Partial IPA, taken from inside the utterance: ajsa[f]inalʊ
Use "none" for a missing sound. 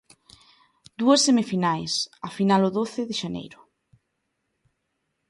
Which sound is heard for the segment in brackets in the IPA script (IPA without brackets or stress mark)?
f